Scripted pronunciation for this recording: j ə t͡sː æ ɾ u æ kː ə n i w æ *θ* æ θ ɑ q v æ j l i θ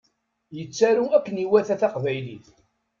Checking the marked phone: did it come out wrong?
no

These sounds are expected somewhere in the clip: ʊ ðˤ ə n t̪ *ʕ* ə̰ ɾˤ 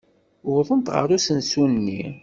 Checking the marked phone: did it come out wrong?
yes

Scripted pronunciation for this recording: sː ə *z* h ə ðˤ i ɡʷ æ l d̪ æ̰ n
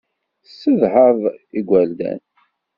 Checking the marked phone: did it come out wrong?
yes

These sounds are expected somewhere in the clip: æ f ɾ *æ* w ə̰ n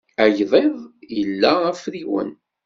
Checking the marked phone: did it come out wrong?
yes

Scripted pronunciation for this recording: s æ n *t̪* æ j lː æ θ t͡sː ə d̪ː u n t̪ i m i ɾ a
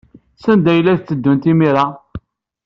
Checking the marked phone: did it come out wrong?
yes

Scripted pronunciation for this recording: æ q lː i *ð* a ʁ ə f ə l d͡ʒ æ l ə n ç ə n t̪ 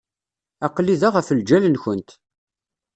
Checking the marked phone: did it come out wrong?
no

